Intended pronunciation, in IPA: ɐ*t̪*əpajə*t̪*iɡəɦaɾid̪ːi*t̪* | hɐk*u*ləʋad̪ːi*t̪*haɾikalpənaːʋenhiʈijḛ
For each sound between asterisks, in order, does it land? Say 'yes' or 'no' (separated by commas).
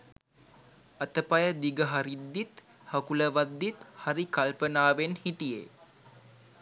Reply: yes, no, yes, yes, yes